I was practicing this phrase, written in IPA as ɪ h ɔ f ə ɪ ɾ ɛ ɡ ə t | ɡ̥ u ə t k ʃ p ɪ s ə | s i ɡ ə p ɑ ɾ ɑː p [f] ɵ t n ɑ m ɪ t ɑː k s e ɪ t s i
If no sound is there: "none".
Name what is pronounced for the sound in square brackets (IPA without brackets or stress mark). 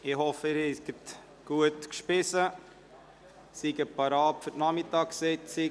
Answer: f